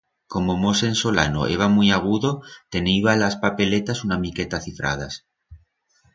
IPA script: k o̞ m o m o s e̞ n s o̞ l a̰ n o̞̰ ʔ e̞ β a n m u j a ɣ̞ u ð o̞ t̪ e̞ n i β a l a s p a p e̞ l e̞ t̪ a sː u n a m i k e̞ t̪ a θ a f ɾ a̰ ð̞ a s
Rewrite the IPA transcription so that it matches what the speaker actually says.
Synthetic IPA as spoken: k o̞ m o m o s e̞ n s o̞ l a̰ n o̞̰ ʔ e̞ β a m u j a ɣ̞ u ð o̞ t̪ e̞ n i β a l a s p a p e̞ l e̞ t̪ a s u n a m i k e̞ t̪ a θ i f ɾ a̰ ð̞ a s